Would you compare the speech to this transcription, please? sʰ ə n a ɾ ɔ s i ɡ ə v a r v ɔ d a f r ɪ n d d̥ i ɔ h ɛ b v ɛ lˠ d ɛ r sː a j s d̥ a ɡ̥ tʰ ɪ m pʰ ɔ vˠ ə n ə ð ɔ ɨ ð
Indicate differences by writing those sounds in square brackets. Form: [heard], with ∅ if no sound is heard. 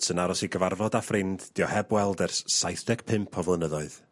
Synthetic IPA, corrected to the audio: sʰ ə n a ɾ ɔ s i ɡ ə v a r v ɔ d a f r ɪ n d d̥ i ɔ h ɛ b [w] ɛ lˠ d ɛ r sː a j [θ] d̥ [ɛ] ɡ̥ [pʰ] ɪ m pʰ ɔ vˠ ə n ə ð ɔ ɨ ð